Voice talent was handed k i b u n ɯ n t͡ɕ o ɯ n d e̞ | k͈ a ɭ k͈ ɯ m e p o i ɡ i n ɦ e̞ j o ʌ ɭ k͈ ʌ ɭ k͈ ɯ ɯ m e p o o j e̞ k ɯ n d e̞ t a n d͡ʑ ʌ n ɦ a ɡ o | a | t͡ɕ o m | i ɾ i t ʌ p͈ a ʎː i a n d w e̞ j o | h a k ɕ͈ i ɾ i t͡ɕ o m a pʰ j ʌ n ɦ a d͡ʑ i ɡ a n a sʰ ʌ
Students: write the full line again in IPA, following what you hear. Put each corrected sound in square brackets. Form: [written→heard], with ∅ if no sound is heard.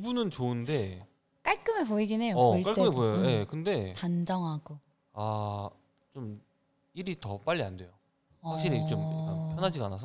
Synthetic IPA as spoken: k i b u n ɯ n t͡ɕ o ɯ n d e̞ | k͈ a ɭ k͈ ɯ m e p o i ɡ i n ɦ e̞ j o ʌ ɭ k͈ [ʌ→a] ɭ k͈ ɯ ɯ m e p o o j e̞ k ɯ n d e̞ t a n d͡ʑ ʌ [n→ŋ] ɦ a ɡ o | a | t͡ɕ o m | i ɾ i t ʌ p͈ a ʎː i a n d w e̞ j o | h a k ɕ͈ i ɾ i t͡ɕ o m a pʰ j ʌ n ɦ a d͡ʑ i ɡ a n a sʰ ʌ